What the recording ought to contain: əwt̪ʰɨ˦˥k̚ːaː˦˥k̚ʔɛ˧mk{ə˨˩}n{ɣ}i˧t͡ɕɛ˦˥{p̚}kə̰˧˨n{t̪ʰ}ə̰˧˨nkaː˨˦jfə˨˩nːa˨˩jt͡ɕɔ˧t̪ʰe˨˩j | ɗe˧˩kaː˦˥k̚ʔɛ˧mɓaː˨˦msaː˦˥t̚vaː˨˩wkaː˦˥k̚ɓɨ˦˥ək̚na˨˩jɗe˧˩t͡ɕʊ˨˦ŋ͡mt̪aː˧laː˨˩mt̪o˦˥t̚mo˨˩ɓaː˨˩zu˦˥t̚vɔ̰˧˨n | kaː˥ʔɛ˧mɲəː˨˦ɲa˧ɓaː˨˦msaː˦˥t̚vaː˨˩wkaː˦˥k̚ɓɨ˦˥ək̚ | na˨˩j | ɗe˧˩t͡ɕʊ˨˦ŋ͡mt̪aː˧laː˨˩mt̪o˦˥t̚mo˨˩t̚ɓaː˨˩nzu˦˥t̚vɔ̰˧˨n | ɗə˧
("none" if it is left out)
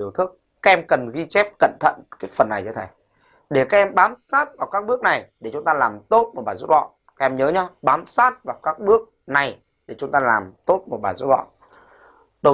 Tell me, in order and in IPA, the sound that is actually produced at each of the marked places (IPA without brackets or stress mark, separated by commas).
ə˨˩, ɣ, p̚, t̪ʰ